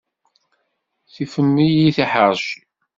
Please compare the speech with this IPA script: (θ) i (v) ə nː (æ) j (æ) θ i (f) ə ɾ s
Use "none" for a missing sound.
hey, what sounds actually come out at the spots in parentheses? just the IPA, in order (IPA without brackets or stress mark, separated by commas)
θ, f, i, i, ħ